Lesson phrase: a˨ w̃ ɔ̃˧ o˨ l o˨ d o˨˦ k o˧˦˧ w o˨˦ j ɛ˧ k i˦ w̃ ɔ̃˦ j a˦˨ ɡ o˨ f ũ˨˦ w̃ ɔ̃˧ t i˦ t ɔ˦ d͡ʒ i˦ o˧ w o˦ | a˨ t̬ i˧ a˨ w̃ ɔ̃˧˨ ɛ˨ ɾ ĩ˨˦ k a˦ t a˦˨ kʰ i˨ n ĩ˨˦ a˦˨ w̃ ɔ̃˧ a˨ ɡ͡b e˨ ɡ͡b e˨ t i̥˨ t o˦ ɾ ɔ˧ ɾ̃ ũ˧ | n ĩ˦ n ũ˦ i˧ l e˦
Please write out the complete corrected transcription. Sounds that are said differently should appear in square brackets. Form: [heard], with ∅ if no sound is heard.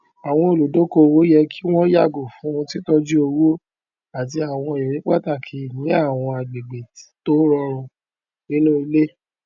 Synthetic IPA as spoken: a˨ w̃ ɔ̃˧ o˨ l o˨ d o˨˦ k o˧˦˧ w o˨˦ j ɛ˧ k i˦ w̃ ɔ̃˦ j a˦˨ ɡ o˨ f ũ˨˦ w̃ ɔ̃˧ t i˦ t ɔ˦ d͡ʒ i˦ o˧ w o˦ | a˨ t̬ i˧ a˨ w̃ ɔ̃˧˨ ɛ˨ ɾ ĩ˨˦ [k͡p] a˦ t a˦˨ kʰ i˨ n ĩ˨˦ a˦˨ w̃ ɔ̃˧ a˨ ɡ͡b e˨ ɡ͡b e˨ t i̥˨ t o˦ ɾ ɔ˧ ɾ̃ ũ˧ | n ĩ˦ n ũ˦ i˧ l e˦